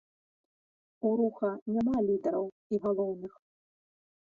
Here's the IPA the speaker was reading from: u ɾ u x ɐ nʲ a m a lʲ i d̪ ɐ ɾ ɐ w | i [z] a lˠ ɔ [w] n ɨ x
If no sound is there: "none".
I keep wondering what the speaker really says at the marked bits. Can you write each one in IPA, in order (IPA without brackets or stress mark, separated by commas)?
ɣ, w